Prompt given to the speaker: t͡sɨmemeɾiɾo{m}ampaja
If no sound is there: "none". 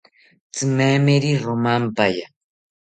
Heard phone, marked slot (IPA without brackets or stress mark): m